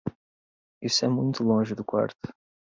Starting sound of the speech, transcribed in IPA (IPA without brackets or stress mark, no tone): i